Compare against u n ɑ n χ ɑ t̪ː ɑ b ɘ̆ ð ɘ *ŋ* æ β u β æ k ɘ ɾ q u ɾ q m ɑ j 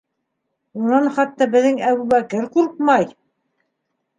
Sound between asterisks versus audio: correct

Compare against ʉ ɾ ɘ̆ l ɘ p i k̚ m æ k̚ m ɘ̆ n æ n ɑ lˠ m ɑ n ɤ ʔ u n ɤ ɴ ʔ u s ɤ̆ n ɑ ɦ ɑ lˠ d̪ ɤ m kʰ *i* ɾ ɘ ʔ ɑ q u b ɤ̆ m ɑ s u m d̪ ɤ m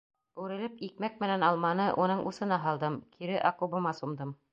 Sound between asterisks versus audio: correct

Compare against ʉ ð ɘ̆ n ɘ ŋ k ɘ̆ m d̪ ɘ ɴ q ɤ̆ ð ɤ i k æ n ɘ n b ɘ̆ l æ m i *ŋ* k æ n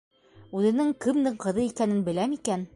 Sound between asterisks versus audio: incorrect: none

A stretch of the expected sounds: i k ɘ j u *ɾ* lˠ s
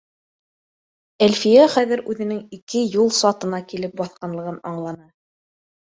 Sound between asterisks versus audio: incorrect: none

